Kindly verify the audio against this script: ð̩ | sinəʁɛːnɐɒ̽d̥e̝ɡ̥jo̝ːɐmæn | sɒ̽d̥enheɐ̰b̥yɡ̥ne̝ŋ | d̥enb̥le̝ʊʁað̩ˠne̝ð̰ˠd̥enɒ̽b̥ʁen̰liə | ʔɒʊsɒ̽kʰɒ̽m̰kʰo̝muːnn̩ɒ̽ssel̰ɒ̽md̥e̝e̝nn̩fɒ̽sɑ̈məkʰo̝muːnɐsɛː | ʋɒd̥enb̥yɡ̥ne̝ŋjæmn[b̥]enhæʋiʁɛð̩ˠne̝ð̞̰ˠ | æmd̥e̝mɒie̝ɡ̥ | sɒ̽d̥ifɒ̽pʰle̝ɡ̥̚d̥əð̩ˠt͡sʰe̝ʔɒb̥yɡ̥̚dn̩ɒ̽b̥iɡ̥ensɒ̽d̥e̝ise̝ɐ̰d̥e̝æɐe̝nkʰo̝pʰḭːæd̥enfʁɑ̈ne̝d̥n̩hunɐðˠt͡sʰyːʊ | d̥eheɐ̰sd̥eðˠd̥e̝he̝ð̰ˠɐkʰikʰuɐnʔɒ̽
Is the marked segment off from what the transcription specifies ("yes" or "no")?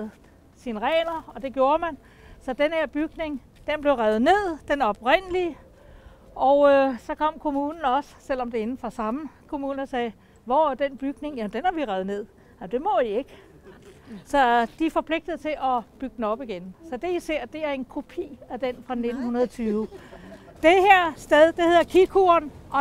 yes